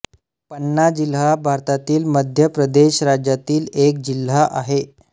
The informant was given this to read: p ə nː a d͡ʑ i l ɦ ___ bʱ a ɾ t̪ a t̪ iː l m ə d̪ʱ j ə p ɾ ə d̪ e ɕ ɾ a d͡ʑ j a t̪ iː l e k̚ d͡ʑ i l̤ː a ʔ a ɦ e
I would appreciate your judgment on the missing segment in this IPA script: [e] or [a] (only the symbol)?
a